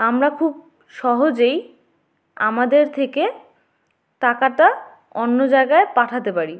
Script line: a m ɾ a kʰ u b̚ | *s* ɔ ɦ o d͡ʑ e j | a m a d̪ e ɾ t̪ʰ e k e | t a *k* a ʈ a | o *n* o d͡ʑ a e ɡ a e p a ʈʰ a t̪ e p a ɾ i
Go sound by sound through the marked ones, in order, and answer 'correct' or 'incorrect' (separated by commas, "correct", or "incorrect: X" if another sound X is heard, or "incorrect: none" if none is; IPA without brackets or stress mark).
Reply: incorrect: ʃ, correct, incorrect: nː